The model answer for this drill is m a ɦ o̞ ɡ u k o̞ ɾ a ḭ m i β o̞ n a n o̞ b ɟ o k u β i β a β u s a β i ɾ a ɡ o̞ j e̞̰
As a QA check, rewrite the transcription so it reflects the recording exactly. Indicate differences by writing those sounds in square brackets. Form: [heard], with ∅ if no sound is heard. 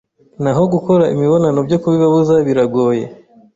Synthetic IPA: [n] a ɦ o̞ ɡ u k o̞ ɾ a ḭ m i β o̞ n a n o̞ b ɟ o k u β i β a β u [z] a β i ɾ a ɡ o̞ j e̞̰